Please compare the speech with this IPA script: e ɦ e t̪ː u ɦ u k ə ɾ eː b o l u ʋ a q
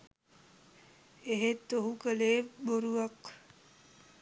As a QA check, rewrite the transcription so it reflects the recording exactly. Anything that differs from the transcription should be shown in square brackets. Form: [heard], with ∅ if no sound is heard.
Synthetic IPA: e ɦ e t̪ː [o] ɦ u k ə [l] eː b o [ɾ] u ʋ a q